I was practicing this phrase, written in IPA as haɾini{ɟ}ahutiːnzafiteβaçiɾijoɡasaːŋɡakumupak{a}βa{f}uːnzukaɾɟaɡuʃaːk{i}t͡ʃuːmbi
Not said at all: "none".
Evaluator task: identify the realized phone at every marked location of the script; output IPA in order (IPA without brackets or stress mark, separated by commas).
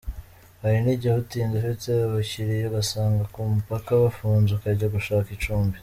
ɟ, a, f, i